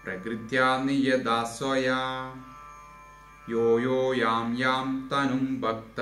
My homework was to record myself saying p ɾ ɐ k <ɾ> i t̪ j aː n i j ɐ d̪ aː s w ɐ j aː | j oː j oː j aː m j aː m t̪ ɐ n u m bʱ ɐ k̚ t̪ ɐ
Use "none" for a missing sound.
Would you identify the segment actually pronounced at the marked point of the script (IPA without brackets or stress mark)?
ɾ